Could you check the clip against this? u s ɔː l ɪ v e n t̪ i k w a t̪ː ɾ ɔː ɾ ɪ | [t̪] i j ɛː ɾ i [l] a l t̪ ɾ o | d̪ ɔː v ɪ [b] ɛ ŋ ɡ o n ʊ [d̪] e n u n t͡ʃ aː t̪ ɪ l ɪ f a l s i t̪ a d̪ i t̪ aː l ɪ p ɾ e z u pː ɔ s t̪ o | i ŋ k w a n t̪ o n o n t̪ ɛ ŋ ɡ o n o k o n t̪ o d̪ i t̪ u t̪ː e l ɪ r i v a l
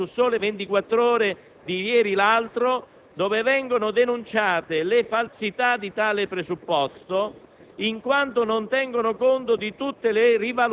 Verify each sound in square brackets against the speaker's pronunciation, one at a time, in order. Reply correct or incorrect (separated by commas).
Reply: incorrect, correct, incorrect, correct